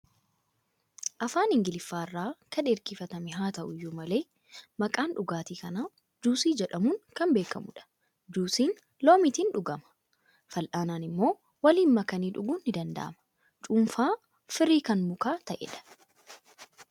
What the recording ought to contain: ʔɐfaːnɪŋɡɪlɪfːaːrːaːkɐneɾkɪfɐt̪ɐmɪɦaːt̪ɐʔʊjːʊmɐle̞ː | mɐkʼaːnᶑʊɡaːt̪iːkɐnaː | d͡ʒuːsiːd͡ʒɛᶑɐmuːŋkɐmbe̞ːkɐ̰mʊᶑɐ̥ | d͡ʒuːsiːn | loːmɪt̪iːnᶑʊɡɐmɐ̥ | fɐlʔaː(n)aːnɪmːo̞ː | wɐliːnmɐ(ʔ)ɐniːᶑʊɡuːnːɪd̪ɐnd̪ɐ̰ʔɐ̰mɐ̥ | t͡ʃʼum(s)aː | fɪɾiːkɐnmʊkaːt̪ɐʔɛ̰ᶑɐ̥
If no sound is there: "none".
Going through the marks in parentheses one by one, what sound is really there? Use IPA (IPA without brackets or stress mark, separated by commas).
n, k, f